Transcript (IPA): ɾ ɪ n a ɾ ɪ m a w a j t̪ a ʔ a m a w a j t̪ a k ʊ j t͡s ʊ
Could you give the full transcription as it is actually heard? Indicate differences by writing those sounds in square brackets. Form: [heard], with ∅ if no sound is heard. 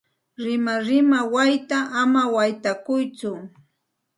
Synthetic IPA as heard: ɾ ɪ [m] a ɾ ɪ m a w a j t̪ a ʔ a m a w a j t̪ a k ʊ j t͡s ʊ